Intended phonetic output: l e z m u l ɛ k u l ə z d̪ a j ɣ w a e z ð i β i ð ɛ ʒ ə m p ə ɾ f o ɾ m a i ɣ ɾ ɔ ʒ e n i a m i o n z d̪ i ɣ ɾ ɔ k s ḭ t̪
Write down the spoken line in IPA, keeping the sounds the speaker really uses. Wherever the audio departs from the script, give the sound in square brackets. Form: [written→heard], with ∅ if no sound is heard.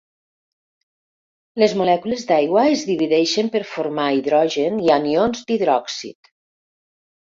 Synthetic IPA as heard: l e z m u l ɛ k u l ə z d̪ a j ɣ w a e z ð i β i ð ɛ [ʒ→ʃ] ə m p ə ɾ f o ɾ m a i [ɣ→ð] ɾ ɔ ʒ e n i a [m→n] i o n z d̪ i [ɣ→ð] ɾ ɔ k s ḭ t̪